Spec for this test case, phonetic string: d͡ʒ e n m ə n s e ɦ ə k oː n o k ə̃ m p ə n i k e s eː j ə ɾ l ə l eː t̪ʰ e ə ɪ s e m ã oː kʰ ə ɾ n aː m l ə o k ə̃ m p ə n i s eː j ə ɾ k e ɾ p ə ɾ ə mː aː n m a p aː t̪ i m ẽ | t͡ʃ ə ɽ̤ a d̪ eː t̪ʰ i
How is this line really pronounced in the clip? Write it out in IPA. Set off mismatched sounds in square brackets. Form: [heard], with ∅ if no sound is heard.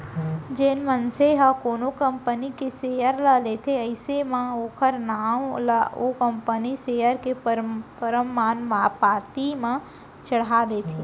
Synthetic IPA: d͡ʒ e n m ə n s e ɦ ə k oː n o k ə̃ m p ə n i k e s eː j ə ɾ l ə l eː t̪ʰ e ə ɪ s e m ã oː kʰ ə ɾ n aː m l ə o k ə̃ m p ə n i s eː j ə ɾ k e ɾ p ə ɾ ə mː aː n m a p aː t̪ i m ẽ | t͡ʃ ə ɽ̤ a d̪ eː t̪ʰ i